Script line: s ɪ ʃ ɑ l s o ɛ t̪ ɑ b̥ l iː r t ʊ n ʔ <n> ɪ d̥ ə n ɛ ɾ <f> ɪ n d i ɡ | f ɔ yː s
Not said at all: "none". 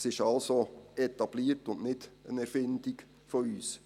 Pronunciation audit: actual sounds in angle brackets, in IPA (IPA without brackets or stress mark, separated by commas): n, f